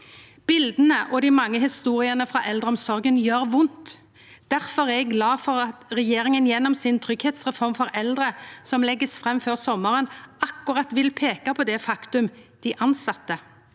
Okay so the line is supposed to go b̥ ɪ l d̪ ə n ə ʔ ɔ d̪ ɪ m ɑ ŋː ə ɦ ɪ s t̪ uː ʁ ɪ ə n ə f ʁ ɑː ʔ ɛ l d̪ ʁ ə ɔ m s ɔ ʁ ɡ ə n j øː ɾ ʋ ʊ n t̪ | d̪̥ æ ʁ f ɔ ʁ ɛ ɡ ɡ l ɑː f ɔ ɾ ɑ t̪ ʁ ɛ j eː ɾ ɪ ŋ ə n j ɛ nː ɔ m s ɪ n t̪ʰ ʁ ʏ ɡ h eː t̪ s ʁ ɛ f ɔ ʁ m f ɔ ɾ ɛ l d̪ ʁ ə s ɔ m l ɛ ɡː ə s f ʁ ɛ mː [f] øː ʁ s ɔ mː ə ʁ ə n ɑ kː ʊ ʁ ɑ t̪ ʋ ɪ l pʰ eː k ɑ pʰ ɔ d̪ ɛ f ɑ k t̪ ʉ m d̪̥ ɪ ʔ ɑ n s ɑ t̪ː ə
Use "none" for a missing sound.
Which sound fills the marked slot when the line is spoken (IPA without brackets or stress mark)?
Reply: f